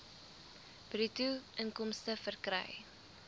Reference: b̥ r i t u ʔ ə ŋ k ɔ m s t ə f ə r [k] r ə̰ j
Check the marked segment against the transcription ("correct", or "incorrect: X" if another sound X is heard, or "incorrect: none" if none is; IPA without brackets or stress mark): correct